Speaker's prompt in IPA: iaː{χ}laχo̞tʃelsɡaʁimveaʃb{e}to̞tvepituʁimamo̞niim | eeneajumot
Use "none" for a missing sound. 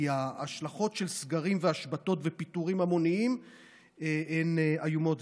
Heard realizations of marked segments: ʃ, a

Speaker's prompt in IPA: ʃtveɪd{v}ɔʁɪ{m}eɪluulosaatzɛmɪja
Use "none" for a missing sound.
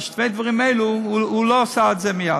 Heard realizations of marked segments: v, m

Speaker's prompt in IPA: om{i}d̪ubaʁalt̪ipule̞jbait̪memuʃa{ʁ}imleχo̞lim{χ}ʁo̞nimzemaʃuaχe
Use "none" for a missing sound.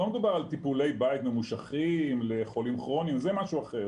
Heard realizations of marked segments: e, χ, χ

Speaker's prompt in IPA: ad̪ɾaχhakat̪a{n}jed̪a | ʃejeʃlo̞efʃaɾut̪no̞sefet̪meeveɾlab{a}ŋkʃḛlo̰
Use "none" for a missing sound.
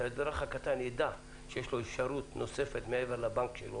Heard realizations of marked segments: n, a

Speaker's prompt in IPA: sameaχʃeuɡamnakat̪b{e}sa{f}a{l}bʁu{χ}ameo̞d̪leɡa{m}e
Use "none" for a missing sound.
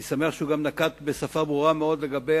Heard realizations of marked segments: e, f, none, ʁ, b

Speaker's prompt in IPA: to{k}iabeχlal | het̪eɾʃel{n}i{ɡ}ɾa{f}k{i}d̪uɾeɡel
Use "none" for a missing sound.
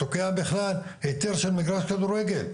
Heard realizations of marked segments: k, m, ɡ, ʃ, a

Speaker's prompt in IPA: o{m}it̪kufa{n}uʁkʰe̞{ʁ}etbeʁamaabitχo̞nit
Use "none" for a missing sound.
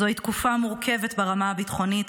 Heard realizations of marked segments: none, m, v

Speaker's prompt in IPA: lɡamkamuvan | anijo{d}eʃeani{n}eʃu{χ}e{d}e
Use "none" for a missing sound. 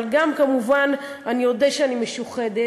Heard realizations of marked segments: d, m, χ, d

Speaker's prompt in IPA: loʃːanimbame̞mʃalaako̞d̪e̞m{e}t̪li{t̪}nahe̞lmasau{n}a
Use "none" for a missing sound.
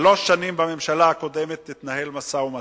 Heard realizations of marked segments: e, t̪, m

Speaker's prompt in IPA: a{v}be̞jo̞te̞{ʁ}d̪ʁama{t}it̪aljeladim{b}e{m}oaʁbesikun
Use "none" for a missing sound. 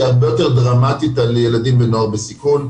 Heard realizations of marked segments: ʁ, ʁ, t, b, n

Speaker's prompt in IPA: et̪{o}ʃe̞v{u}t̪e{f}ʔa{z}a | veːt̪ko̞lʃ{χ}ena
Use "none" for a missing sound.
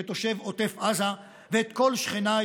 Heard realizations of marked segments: o, o, f, z, χ

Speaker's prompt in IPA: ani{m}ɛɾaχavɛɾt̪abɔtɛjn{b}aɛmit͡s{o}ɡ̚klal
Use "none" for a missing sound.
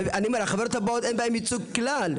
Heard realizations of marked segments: m, b, u

